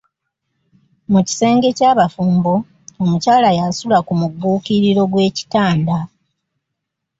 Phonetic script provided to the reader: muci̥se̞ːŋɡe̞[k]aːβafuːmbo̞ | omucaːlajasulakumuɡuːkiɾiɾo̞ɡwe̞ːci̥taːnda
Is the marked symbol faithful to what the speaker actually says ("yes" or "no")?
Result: no